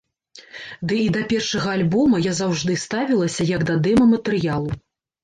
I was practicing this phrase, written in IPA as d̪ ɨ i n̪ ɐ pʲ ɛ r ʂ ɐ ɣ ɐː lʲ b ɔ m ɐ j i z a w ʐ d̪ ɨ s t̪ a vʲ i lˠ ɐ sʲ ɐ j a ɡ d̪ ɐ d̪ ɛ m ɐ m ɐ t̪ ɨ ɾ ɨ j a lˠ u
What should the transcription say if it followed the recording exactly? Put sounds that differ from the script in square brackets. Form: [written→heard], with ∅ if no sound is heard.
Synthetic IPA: d̪ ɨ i [n̪→d̪] ɐ pʲ ɛ r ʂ ɐ ɣ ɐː lʲ b ɔ m ɐ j [i→a] z a w ʐ d̪ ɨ s t̪ a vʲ i lˠ ɐ sʲ ɐ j [a→ɐ] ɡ d̪ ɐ d̪ ɛ m ɐ m ɐ t̪ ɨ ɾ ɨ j a lˠ u